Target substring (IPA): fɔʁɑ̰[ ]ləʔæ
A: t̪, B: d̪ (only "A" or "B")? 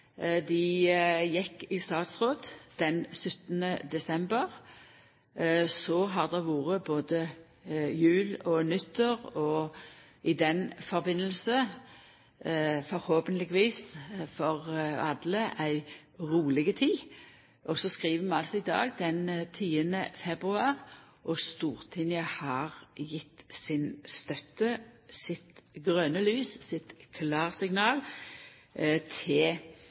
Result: B